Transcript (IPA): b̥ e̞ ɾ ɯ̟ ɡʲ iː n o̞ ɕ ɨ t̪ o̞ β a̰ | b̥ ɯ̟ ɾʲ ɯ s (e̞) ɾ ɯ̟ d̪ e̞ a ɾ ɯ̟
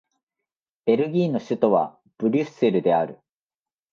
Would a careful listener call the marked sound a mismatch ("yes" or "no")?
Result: no